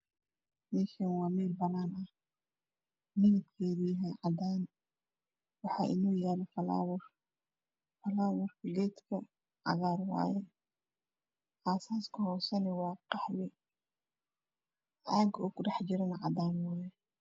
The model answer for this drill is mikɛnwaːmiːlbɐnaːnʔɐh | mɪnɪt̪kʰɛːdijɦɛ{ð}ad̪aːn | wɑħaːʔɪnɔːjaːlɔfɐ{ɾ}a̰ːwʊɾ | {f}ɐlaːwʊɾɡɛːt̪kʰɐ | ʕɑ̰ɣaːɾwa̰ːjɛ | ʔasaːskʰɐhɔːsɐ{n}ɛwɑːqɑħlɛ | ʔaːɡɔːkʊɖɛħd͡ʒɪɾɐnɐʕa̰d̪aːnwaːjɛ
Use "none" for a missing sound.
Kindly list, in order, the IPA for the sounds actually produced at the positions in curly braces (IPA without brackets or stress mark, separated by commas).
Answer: ʕ, l, f, n